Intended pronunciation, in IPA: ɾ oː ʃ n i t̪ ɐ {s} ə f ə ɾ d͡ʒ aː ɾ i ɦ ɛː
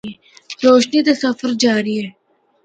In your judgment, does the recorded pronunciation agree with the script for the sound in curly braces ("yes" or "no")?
yes